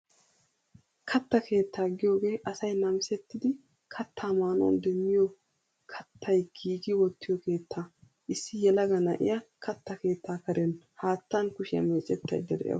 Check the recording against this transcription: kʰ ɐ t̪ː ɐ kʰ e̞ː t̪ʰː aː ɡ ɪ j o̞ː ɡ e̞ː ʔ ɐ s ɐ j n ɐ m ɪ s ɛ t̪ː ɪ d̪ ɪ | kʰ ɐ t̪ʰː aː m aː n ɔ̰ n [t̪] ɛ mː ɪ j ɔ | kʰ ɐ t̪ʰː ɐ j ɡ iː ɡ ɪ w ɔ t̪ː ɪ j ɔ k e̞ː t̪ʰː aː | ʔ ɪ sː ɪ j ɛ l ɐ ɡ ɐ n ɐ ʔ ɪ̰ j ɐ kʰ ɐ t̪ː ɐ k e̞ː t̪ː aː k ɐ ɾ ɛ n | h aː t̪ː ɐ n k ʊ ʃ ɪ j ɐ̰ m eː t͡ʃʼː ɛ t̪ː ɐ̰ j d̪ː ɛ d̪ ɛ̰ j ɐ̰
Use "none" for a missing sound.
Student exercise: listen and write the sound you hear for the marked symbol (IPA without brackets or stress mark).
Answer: d̪